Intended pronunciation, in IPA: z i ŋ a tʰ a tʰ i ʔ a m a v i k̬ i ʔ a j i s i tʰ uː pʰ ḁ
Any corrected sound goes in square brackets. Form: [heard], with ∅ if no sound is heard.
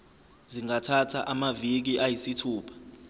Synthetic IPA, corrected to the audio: z i ŋ a tʰ a tʰ [a] ʔ a m a v i k̬ i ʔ a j i s i tʰ uː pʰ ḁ